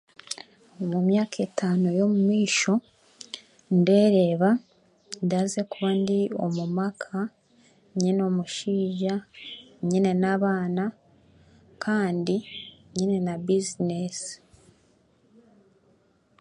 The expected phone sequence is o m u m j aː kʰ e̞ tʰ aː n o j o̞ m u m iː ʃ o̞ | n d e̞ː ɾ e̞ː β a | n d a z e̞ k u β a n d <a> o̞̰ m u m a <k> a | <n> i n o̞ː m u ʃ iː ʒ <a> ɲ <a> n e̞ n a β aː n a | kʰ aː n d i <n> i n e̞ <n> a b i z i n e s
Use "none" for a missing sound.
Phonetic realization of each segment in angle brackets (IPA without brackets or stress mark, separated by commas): i, kʰ, ɲ, a, i, ɲ, n